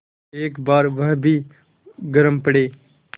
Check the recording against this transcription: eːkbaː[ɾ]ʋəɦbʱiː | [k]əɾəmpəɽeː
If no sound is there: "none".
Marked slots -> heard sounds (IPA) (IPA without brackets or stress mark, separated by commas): ɾ, ɡ